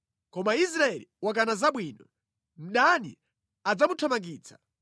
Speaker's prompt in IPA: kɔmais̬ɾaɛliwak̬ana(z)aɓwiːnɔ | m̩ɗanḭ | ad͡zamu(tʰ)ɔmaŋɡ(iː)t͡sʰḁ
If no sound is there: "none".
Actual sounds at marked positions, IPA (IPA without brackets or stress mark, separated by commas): z, tʰ, iː